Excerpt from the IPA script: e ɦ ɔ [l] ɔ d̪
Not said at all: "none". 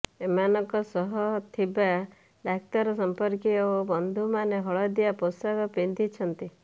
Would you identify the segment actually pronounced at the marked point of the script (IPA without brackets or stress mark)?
ɭ